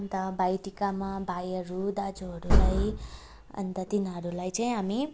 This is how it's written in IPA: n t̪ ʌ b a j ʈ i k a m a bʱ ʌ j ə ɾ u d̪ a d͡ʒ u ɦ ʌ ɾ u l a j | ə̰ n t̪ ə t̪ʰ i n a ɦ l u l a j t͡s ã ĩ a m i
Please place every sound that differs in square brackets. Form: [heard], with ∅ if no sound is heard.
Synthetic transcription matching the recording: n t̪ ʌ b a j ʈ i k a m a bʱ [a] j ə ɾ u d̪ a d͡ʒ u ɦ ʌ ɾ u l a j | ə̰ n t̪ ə [t̪] i n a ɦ [ɾ] u l a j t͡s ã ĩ a m i